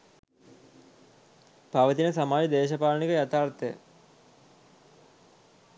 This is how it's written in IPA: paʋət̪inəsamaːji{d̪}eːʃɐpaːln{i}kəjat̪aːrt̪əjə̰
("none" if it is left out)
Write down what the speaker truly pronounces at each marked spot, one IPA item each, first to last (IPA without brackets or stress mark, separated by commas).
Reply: d̪, i